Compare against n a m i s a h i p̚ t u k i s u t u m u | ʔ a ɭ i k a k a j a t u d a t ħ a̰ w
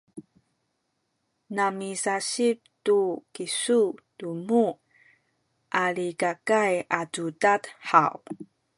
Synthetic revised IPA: n a m i s a ɕ i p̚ t u k i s u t u m u | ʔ a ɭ i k a k a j a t u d a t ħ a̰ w